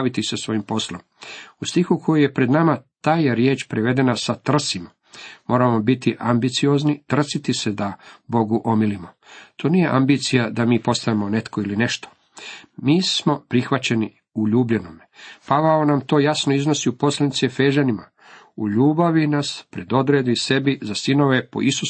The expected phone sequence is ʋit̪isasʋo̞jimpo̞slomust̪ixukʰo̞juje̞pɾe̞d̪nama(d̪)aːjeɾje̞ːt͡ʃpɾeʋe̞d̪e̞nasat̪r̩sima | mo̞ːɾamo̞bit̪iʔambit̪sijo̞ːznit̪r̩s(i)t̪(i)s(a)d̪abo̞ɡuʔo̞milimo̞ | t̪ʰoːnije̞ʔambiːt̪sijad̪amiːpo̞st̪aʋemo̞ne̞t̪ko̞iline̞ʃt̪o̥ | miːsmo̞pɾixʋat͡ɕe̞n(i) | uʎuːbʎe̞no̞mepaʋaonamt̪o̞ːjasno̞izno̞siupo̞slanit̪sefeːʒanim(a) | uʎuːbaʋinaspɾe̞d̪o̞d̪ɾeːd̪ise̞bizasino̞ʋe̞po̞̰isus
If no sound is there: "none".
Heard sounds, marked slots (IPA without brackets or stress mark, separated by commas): t̪, i, i, e, i, a